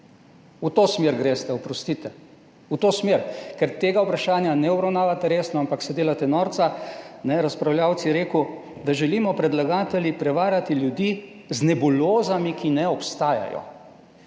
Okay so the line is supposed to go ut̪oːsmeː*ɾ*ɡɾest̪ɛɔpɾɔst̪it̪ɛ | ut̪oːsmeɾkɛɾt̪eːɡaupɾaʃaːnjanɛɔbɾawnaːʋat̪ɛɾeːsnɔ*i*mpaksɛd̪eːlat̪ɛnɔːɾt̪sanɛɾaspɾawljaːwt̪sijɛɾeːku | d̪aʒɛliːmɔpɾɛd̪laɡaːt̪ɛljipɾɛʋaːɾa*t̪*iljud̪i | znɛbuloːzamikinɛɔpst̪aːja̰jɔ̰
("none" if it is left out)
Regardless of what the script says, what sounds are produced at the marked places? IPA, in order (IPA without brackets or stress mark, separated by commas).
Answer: ɾ, a, t̪